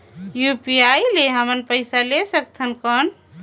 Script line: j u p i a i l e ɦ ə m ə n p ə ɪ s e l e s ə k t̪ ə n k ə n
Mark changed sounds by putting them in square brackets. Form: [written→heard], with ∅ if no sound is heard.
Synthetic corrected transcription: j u p i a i l e ɦ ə m ə n p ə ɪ s [e→a] l e s ə k [t̪→t̪ʰ] ə n k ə n